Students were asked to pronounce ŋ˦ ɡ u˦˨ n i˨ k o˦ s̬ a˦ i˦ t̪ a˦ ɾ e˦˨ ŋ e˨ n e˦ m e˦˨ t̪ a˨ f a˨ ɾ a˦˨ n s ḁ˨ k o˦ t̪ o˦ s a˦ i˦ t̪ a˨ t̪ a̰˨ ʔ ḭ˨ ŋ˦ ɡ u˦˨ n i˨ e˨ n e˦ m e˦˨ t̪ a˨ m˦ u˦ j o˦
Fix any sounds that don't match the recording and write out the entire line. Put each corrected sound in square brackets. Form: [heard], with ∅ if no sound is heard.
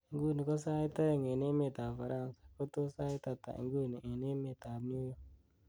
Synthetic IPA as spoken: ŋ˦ ɡ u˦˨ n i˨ k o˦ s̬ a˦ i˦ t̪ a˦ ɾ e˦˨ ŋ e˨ n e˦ m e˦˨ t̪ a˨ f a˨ ɾ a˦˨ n s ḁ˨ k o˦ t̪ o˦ s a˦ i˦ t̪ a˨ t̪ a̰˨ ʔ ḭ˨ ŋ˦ ɡ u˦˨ n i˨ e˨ n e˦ m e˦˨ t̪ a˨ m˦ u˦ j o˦